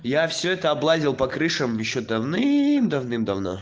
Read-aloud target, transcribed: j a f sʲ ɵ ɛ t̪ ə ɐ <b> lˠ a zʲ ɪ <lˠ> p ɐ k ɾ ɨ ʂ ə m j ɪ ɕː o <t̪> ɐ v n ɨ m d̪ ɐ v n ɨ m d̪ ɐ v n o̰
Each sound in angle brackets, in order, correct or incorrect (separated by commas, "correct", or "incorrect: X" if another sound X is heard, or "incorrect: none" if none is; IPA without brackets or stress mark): correct, correct, incorrect: d̪